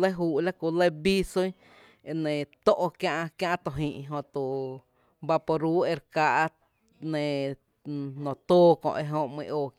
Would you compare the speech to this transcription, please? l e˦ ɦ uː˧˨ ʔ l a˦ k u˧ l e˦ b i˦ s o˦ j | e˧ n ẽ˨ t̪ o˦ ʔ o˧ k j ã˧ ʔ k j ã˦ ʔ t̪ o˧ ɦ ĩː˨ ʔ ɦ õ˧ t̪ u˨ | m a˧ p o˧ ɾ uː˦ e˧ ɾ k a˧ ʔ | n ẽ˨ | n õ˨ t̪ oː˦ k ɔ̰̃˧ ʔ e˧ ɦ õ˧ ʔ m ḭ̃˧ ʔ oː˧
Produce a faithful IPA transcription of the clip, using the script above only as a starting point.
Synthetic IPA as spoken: l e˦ ɦ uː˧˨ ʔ l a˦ k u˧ l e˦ b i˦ s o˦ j | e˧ n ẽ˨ t̪ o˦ ʔ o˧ k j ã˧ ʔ k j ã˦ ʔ t̪ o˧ ɦ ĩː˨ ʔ ɦ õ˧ t̪ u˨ | b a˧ p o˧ ɾ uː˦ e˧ ɾ k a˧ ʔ | n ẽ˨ | n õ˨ t̪ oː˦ k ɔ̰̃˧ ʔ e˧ ɦ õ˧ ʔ m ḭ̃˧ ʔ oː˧